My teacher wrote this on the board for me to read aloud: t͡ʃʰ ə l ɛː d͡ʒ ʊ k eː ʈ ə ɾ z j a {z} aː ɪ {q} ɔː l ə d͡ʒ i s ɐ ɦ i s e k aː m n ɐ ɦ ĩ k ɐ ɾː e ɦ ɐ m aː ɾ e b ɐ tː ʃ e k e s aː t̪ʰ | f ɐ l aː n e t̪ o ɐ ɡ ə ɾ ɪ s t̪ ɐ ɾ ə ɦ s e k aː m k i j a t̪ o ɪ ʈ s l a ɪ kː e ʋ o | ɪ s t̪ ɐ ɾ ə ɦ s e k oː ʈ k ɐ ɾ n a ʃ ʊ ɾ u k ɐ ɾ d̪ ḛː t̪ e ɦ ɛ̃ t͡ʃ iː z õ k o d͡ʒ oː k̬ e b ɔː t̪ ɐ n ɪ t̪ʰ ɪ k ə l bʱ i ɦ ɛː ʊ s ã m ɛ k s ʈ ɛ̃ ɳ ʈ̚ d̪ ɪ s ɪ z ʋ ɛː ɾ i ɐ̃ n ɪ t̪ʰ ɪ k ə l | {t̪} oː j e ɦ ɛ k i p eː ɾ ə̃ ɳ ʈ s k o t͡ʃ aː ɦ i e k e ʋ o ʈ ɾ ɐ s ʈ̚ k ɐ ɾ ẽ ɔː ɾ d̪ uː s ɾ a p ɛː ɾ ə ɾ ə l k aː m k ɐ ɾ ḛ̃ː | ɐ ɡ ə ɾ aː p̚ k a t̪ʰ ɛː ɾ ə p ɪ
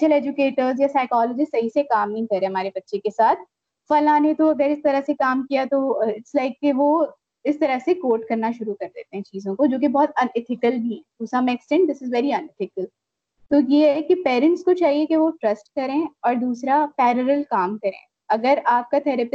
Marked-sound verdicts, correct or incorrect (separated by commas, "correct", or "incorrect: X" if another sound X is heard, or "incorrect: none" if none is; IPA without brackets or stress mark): incorrect: s, incorrect: k, correct